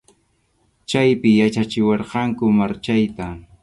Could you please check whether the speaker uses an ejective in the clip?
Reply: no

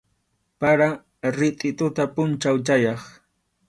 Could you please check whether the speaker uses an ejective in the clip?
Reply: yes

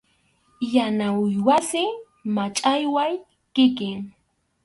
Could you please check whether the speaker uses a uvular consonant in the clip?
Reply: no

